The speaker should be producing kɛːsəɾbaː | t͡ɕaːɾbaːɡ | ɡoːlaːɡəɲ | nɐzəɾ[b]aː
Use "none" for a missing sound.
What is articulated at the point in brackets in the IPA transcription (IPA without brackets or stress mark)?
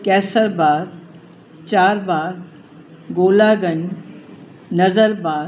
b